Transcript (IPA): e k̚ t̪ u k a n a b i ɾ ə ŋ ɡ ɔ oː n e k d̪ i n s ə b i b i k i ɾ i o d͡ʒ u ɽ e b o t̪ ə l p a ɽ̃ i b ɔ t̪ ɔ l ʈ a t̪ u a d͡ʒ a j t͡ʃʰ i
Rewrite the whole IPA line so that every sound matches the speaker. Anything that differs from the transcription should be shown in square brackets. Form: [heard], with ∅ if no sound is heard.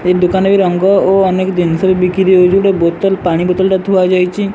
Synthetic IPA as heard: e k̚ [d̪] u k a n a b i ɾ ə ŋ ɡ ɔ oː n e k d̪ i n s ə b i b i k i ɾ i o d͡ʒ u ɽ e b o t̪ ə l p a ɽ̃ i b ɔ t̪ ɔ l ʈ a t̪ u a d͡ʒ a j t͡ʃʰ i